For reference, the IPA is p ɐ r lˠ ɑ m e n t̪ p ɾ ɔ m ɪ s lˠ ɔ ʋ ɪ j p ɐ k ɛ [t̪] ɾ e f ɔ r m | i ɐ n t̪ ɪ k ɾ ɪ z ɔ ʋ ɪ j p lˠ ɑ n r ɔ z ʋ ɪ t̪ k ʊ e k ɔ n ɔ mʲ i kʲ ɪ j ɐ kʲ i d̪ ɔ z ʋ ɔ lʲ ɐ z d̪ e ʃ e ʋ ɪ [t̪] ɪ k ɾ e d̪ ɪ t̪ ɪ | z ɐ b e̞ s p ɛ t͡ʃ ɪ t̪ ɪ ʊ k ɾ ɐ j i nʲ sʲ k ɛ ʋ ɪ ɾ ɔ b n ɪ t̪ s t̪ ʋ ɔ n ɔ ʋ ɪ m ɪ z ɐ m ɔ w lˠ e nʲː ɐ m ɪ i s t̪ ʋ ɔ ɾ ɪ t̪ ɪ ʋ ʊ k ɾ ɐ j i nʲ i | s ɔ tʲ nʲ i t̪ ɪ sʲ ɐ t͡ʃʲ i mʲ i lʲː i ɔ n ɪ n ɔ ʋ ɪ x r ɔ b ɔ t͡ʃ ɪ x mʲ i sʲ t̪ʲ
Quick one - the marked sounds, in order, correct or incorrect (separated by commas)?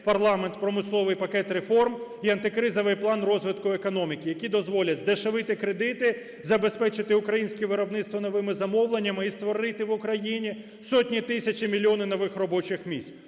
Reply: correct, correct